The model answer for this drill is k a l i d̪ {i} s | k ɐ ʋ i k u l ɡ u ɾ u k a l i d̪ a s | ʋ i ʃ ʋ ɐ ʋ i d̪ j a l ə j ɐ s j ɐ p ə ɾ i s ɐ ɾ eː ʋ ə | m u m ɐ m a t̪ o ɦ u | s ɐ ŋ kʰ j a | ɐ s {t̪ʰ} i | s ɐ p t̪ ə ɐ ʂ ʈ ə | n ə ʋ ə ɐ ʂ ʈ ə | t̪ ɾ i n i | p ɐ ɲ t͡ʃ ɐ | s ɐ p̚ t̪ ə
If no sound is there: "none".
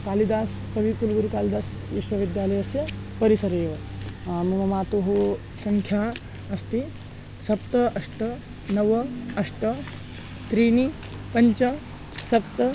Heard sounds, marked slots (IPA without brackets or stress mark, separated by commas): a, t̪